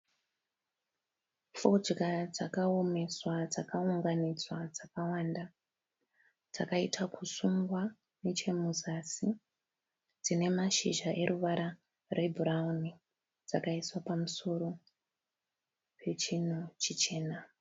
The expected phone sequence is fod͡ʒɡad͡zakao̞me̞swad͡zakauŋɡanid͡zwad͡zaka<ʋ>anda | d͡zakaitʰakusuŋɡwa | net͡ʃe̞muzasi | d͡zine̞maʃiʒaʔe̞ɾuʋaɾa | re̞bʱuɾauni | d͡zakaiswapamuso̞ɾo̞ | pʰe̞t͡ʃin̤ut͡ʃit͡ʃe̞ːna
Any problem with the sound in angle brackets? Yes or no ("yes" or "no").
yes